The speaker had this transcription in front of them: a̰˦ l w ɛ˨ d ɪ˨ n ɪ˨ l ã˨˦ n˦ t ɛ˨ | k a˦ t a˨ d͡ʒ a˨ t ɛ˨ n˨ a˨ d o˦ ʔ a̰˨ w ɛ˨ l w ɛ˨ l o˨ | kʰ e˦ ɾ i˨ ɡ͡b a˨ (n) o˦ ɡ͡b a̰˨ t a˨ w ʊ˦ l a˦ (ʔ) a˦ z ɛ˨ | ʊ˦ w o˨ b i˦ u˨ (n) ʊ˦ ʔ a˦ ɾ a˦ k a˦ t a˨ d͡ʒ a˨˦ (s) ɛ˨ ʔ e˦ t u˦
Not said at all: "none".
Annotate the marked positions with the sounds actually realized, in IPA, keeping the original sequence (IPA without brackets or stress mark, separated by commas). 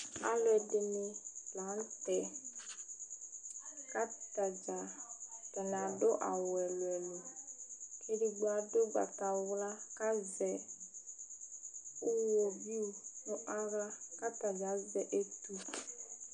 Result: d, k, n, z